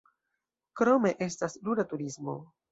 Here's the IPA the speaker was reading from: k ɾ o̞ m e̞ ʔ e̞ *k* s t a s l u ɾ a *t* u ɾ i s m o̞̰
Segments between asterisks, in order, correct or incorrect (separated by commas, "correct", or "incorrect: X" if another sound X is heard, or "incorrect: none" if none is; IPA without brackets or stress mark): incorrect: none, correct